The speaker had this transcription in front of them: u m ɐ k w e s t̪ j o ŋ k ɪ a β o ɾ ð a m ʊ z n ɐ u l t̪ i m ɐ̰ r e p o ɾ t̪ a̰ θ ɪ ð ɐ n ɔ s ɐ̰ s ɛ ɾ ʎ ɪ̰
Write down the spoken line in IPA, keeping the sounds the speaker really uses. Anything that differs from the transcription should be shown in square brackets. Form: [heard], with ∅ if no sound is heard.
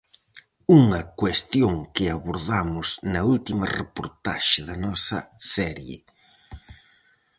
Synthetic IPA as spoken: u [ŋ] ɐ k w e s t̪ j o ŋ k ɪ a β o ɾ ð a m ʊ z n ɐ u l t̪ i m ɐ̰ r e p o ɾ t̪ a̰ [ʃ] ɪ ð ɐ n ɔ s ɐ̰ s ɛ ɾ [j] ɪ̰